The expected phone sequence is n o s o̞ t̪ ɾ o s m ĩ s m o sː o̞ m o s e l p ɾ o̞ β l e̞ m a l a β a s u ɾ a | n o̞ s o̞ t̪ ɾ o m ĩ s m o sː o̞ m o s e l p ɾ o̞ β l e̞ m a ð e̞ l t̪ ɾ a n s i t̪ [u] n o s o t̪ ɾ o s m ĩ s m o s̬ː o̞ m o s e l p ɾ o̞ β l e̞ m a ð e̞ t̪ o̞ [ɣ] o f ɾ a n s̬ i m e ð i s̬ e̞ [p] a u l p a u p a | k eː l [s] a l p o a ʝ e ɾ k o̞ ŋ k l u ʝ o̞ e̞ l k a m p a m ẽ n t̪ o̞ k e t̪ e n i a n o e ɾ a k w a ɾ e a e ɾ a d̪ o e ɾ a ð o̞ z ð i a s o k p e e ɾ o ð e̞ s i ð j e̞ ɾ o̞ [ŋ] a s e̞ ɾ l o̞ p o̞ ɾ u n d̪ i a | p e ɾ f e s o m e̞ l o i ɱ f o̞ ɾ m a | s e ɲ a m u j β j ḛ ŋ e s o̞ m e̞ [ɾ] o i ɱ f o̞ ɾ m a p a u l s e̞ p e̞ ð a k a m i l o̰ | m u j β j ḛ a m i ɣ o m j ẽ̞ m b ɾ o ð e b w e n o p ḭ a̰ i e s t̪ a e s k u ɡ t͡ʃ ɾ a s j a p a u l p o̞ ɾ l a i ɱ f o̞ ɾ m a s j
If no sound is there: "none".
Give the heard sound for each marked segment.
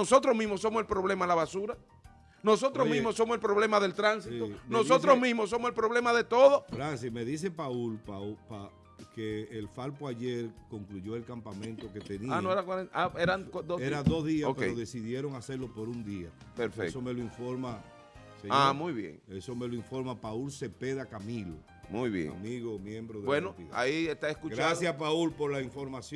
o, ð, p, f, ŋ, l

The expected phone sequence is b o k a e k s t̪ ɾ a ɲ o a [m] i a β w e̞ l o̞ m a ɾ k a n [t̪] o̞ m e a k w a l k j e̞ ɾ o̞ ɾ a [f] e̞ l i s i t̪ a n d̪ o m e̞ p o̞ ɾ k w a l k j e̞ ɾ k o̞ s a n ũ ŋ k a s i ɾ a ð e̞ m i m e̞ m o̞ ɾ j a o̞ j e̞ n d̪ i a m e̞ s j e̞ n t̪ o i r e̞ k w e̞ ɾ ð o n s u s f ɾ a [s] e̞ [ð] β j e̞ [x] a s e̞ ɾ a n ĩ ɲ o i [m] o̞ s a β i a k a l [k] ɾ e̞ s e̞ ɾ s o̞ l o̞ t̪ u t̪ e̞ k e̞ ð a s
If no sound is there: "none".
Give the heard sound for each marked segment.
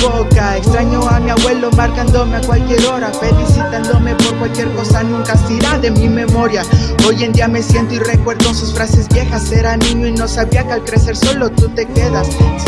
m, d̪, f, s, z, x, n, k

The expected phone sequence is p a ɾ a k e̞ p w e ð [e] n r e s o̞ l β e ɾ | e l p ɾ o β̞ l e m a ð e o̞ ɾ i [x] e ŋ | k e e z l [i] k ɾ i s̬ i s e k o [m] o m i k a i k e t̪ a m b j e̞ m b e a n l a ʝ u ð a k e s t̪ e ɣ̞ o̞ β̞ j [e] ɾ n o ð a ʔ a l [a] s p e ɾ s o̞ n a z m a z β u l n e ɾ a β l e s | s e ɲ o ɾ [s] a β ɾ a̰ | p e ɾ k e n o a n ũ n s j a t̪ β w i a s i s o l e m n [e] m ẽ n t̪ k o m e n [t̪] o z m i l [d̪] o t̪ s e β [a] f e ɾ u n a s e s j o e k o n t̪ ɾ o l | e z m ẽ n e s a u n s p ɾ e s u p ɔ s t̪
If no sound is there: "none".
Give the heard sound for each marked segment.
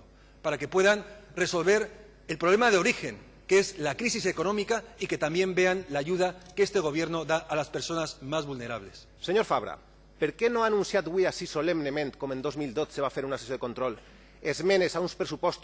a, x, a, n, e, a, f, e, d̪, d̪, a

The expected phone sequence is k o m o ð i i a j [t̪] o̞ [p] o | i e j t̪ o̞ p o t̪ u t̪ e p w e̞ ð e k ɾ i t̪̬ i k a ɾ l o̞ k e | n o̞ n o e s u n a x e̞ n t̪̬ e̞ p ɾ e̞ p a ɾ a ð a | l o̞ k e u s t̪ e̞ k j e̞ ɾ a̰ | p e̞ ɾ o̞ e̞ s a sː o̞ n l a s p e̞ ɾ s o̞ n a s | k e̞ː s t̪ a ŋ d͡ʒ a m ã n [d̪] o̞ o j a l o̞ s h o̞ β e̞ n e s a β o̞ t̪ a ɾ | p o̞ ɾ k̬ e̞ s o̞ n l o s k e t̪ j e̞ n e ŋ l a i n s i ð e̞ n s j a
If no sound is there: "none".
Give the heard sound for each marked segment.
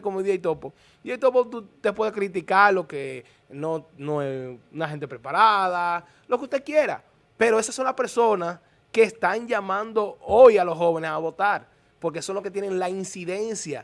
t̪, p, d̪

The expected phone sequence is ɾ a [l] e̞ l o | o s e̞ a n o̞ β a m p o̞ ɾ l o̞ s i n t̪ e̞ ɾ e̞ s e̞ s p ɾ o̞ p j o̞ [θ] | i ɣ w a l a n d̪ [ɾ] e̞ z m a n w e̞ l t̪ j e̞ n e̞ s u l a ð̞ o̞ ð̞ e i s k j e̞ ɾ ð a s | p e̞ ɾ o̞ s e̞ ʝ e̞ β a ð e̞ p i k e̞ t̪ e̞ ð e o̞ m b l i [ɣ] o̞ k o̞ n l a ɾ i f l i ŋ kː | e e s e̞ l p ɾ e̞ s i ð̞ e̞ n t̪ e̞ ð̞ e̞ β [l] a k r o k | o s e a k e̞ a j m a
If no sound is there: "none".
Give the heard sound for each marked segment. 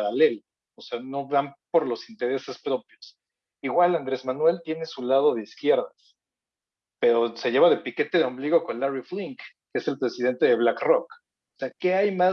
l, s, ɾ, ɣ, l

